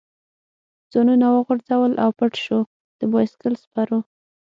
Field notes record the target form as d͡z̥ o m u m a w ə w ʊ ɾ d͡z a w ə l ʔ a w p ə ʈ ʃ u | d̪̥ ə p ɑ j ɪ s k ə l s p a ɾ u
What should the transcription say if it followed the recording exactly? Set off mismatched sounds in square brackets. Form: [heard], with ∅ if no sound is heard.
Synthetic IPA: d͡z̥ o [n] u [n] a w ə [ɣ] ʊ ɾ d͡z a w ə l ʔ a w p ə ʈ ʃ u | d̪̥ ə [b] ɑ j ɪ s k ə l s p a ɾ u